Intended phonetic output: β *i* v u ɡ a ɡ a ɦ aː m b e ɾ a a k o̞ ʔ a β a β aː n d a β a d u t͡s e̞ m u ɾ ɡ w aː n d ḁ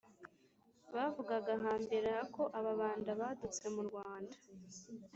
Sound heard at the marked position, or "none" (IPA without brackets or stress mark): a